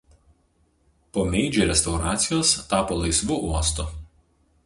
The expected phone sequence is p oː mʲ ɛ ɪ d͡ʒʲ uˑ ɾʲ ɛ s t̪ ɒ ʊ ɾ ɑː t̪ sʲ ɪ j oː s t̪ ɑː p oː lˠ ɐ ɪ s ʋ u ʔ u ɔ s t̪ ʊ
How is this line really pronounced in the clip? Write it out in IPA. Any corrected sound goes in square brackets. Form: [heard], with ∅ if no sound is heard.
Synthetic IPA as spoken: p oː mʲ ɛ ɪ d͡ʒʲ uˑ ɾʲ ɛ s t̪ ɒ ʊ ɾ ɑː t̪ sʲ ɪ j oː s t̪ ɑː p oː lˠ ɐ ɪ s ʋ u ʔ u ɔ s t̪ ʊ